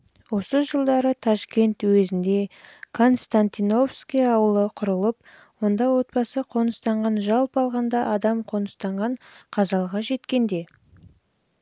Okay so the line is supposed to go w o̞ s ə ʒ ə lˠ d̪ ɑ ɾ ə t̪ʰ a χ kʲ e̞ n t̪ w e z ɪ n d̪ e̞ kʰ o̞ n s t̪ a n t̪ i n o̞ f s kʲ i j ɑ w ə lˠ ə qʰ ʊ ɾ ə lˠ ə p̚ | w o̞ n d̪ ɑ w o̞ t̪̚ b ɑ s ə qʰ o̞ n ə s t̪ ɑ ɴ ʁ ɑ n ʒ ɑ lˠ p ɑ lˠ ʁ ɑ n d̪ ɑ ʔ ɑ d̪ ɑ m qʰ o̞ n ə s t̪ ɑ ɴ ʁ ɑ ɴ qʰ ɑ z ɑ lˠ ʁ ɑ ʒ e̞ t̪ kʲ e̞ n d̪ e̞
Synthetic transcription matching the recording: w o̞ s ə ʒ ə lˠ d̪ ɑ ɾ ə t̪ʰ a ʃ kʲ e̞ n t̪ w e z ɪ n d̪ e̞ kʰ o̞ n s t̪ a n t̪ i n o̞ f s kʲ i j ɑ w ə lˠ ə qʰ ʊ ɾ ə lˠ ə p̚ | w o̞ n d̪ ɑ w o̞ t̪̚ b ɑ s ə qʰ o̞ n ə s t̪ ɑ ɴ ʁ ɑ n ʒ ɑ lˠ p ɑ lˠ ʁ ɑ n d̪ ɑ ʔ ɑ d̪ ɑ m qʰ o̞ n ə s t̪ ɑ ɴ ʁ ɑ ɴ qʰ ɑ z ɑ lˠ ʁ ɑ ʒ e̞ t̪ kʲ e̞ n d̪ e̞